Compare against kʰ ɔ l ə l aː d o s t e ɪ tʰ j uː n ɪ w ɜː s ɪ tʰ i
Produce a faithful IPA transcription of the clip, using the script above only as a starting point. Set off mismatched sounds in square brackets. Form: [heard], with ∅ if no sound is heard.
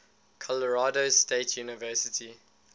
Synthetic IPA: kʰ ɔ l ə [ɹ] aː d o s t e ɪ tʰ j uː n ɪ [v] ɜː s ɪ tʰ i